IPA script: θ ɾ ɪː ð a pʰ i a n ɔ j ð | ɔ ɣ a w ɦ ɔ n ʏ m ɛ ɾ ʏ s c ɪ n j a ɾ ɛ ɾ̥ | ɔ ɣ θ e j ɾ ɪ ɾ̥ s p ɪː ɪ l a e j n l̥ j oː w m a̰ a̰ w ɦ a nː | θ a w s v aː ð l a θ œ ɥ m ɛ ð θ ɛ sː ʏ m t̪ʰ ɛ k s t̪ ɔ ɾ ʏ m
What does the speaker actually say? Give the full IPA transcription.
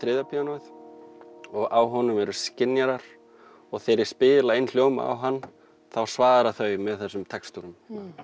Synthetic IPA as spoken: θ ɾ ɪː ð a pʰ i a n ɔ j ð | ɔ ɣ a w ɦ ɔ n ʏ m ɛ ɾ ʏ s c ɪ n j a ɾ a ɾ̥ | ɔ ɣ θ e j ɾ ɪ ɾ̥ s p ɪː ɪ l a e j n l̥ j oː w m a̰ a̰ w ɦ a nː | θ a w s v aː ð ɾ a θ œ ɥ m ɛ ð θ ɛ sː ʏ m t̪ʰ ɛ k s t̪ u ɾ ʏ m